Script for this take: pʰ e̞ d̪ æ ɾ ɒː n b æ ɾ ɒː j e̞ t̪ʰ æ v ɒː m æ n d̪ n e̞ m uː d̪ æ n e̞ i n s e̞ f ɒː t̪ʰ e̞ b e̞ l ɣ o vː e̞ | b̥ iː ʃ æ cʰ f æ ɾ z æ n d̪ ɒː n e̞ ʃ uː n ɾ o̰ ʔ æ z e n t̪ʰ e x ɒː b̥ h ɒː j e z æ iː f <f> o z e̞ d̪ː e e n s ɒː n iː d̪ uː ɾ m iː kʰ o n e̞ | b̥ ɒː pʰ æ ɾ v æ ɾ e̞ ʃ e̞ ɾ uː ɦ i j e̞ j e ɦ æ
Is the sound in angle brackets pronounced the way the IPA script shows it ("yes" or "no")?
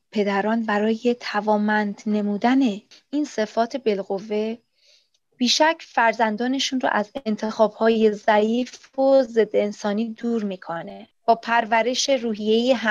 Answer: yes